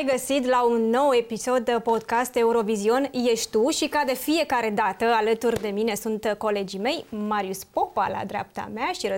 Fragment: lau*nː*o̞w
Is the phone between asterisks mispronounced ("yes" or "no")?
no